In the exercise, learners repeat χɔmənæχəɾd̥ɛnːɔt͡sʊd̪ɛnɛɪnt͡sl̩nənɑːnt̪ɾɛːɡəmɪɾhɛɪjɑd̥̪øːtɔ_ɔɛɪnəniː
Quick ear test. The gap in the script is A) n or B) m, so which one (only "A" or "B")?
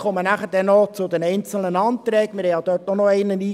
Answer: A